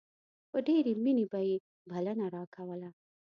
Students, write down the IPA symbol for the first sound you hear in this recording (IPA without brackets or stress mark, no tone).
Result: p